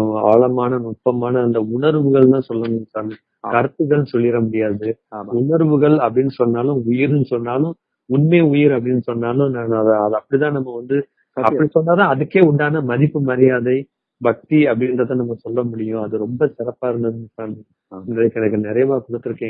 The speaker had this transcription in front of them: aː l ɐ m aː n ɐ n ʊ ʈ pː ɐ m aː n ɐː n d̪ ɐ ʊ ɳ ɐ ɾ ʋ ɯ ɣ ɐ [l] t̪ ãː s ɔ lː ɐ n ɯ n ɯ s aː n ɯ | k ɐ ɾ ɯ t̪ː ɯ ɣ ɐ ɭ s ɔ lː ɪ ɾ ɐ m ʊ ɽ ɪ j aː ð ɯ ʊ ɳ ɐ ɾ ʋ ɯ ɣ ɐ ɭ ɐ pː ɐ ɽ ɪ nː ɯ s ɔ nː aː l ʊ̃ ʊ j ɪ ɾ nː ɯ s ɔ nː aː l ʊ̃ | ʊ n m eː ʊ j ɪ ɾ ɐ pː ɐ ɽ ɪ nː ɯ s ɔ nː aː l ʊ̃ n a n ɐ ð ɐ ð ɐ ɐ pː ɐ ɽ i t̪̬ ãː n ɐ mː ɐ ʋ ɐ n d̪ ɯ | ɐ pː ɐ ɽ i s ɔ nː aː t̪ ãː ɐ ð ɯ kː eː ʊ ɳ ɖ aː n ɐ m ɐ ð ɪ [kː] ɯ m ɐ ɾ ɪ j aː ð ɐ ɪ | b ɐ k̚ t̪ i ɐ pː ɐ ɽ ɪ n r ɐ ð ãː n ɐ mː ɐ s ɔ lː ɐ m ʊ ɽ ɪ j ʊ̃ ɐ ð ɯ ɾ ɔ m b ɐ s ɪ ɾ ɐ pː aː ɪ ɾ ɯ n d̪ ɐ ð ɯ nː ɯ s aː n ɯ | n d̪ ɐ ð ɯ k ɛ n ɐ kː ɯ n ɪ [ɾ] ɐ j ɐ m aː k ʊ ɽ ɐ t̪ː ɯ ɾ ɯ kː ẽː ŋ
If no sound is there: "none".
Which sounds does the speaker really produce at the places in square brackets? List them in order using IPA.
ɭ, pː, ɾ

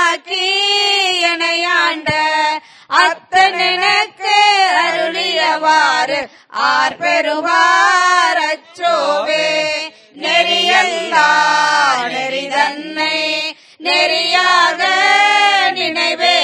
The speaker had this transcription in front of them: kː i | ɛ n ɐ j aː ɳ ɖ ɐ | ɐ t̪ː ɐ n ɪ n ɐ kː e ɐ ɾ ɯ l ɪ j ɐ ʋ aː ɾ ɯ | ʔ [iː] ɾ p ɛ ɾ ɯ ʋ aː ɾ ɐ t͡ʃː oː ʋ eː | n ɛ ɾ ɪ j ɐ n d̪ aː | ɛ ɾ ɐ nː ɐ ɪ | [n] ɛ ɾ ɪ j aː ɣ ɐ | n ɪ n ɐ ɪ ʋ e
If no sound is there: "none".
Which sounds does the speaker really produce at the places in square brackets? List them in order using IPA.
aː, n

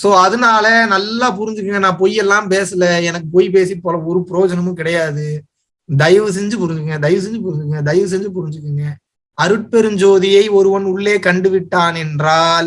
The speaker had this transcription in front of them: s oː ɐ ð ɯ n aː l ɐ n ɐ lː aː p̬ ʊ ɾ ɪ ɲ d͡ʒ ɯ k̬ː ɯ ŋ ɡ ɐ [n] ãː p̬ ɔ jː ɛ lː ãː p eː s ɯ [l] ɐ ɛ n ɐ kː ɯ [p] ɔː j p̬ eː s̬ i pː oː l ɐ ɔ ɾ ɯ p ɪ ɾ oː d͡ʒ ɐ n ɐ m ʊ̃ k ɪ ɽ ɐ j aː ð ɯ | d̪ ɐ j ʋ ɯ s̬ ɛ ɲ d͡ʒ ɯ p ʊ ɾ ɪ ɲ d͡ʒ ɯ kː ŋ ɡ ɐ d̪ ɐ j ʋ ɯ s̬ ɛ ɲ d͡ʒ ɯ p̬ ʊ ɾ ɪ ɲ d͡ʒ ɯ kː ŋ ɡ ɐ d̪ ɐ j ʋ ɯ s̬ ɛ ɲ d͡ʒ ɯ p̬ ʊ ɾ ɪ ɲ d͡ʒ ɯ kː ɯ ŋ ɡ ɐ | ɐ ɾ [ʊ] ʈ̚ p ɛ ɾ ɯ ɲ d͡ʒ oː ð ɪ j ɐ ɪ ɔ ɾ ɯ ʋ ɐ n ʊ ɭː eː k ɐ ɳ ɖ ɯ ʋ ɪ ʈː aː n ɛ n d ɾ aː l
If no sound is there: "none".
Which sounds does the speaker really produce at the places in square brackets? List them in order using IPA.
n, l, p, ɯ

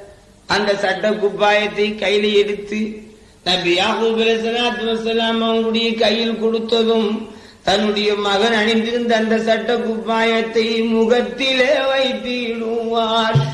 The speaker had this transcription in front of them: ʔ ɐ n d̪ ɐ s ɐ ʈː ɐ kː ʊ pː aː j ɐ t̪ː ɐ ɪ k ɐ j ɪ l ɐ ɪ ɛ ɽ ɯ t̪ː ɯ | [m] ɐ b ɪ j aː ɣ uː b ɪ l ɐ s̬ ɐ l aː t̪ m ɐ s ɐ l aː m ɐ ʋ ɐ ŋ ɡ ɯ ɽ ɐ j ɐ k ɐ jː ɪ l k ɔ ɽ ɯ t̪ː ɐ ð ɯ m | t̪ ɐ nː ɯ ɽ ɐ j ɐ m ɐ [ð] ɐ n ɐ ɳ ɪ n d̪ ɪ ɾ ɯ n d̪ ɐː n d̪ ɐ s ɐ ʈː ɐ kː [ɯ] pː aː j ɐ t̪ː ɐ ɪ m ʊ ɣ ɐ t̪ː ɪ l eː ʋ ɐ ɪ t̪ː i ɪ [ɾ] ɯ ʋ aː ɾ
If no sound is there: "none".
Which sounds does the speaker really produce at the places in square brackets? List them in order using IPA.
n, ɣ, ʊ, ɽ

